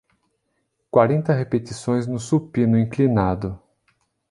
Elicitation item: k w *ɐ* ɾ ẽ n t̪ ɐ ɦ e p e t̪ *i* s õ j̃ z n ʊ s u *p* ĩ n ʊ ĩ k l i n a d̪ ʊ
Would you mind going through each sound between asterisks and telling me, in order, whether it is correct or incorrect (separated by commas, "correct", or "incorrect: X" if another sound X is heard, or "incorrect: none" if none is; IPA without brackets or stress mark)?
incorrect: a, correct, correct